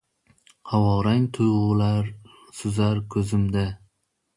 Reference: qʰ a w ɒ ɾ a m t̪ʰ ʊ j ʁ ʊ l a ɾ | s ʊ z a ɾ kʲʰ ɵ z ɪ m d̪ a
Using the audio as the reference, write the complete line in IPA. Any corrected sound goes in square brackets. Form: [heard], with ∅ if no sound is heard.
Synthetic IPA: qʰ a w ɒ ɾ a [ŋ] t̪ʰ ʊ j ʁ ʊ l a ɾ | s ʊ z a ɾ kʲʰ ɵ z ɪ m d̪ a